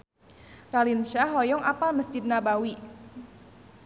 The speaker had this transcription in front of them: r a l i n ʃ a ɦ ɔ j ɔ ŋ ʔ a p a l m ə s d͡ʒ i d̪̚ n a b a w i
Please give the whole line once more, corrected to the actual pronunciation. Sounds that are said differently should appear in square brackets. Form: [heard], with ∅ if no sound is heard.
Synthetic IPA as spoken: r a l i n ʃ a ɦ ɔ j ɔ ŋ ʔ a p a l m ə s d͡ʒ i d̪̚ n a b a w i